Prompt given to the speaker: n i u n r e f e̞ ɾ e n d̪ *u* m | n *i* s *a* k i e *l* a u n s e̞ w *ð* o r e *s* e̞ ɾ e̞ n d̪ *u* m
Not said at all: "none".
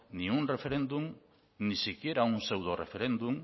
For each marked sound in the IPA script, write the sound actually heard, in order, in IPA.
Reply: u, i, i, ɾ, ð, f, u

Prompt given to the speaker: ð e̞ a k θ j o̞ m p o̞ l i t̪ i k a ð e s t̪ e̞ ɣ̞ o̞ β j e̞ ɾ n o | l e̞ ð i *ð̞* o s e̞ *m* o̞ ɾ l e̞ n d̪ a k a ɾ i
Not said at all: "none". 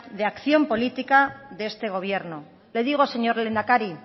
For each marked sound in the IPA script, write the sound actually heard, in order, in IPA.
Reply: ɣ̞, ɲ

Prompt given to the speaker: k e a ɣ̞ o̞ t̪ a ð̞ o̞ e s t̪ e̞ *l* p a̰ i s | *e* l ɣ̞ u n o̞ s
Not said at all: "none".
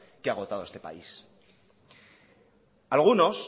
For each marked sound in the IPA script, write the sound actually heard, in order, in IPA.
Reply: none, a

